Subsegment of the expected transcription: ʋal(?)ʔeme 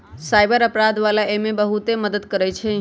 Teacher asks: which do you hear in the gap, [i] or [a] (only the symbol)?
a